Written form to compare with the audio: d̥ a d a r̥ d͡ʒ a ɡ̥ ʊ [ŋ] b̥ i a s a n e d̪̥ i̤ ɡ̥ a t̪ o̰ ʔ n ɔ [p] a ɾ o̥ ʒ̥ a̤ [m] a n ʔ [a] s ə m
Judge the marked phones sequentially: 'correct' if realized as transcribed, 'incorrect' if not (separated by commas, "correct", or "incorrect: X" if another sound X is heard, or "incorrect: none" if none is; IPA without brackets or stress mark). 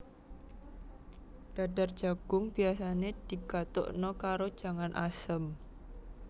correct, incorrect: k, incorrect: ŋ, correct